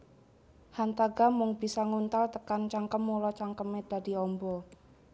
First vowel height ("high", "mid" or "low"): low